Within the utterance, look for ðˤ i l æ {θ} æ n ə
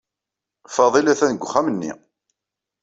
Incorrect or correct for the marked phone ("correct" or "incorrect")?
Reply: correct